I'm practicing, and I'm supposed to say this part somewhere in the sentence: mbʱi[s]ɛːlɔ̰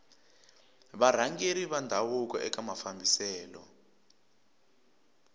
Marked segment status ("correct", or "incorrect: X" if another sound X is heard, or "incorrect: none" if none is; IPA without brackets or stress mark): correct